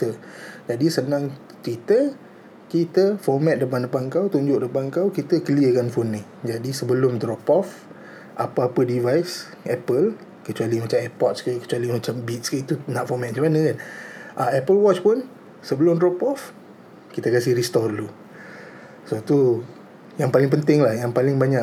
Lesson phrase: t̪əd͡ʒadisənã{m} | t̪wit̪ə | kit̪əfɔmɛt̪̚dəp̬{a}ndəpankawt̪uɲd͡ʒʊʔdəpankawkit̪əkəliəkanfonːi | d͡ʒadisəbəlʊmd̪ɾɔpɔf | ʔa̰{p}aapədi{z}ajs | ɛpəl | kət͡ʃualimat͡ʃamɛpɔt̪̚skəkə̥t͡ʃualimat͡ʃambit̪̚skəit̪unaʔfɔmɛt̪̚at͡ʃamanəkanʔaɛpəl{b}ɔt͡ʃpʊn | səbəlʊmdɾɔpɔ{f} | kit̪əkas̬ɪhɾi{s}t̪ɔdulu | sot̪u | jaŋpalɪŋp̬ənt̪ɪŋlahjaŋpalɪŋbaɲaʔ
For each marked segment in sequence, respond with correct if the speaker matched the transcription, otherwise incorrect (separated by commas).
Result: incorrect, correct, correct, incorrect, incorrect, correct, correct